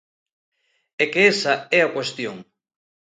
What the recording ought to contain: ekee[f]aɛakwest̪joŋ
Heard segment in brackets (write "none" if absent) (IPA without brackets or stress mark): s